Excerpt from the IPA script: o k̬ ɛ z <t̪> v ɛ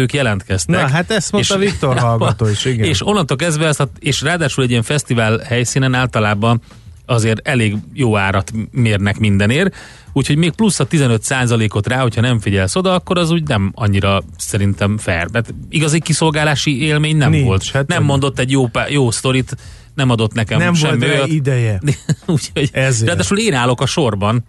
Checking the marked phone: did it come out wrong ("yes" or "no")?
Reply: yes